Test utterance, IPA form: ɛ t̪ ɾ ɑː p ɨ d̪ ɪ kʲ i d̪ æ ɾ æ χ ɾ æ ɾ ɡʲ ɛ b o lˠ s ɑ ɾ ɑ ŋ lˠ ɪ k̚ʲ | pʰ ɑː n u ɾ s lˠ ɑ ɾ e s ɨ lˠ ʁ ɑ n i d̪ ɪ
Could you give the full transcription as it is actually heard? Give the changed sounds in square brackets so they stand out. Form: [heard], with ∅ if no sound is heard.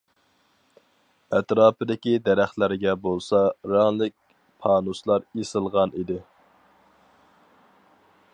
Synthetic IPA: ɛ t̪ ɾ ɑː p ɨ d̪ ɪ kʲ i d̪ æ ɾ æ χ [l] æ ɾ ɡʲ ɛ b o lˠ s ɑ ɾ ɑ ŋ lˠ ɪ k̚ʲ | pʰ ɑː n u [∅] s lˠ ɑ ɾ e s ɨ lˠ ʁ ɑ n i d̪ ɪ